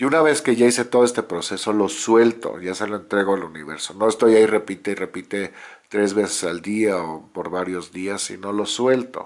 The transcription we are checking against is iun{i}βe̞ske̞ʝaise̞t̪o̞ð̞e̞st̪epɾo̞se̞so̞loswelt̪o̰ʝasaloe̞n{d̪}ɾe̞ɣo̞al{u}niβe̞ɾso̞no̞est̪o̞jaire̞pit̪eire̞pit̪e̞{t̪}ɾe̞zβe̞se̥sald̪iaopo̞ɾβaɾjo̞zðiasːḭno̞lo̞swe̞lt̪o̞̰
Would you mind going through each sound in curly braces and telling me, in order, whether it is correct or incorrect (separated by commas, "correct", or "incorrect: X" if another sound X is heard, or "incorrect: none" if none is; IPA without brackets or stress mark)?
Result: incorrect: a, incorrect: t̪, correct, correct